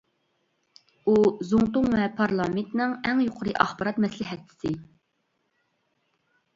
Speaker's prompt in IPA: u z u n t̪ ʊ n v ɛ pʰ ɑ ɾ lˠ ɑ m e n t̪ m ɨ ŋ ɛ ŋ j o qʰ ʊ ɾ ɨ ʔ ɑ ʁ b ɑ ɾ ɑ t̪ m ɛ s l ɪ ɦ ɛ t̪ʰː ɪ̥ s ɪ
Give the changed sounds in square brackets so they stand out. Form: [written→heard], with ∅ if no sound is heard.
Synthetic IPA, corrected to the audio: u z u [n→ŋ] t̪ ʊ [n→ŋ] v ɛ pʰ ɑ ɾ lˠ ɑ m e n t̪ [m→n] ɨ ŋ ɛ ŋ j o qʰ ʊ ɾ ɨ ʔ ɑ [ʁ→χ] b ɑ ɾ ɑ t̪ m ɛ s l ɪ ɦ ɛ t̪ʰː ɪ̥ s ɪ